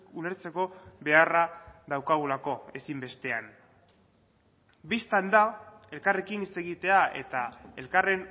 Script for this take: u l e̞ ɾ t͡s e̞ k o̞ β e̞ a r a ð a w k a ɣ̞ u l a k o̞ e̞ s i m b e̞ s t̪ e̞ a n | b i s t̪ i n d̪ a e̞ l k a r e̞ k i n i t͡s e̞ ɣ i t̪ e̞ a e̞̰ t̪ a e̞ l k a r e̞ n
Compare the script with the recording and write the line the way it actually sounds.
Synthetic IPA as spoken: u l e̞ ɾ t͡s e̞ k o̞ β e̞ a r a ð a w k a ɣ̞ u l a k o̞ e̞ s i m b e̞ s t̪ e̞ a n | b i s t̪ a n d̪ a e̞ l k a r e̞ k i n i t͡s e̞ ɣ i t̪ e̞ a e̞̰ t̪ a e̞ l k a r e̞ n

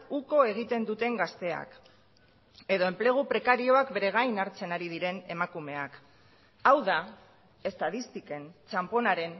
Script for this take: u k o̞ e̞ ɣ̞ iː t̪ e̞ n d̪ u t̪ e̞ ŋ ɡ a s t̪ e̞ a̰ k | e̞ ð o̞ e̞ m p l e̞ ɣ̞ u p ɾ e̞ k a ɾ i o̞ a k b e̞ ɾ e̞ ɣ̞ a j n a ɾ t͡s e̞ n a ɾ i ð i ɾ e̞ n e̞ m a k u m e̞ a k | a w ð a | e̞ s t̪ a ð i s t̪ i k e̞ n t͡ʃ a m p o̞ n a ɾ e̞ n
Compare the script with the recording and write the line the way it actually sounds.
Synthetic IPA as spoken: u k o̞ e̞ ɣ̞ i t̪ e̞ n d̪ u t̪ e̞ ŋ ɡ a s t̪ e̞ a̰ k | e̞ ð o̞ e̞ m p l e̞ ɣ̞ u p ɾ e̞ k a ɾ i o̞ a k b e̞ ɾ e̞ ɣ̞ a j n a ɾ t͡s e̞ n a ɾ i ð i ɾ e̞ n e̞ m a k u m e̞ a k | a w ð a | e̞ s t̪ a ð i s t̪ i k e̞ n t͡ʃ a m p o̞ n a ɾ e̞ n

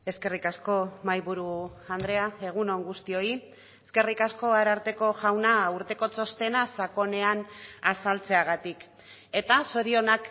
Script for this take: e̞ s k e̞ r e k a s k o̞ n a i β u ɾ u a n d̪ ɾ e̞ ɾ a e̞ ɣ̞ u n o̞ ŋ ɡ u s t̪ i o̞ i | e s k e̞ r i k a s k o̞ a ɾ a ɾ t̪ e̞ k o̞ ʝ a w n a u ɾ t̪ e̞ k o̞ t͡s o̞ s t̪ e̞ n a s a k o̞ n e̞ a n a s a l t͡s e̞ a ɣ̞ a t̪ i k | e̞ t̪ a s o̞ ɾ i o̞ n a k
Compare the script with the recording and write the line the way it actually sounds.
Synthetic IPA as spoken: e̞ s k e̞ r i k a s k o̞ m a j β u ɾ u a n d̪ ɾ e̞ a e̞ ɣ̞ u n o̞ ŋ ɡ u s t̪ i o̞ i | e s k e̞ r i k a s k o̞ a ɾ a ɾ t̪ e̞ k o̞ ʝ a w n a u ɾ t̪ e̞ k o̞ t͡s o̞ s t̪ e̞ n a s a k o̞ n e̞ a n a s a l t͡s e̞ a ɣ̞ a t̪ i k | e̞ t̪ a s o̞ ɾ i o̞ n a k

